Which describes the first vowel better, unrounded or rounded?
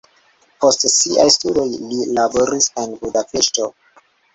rounded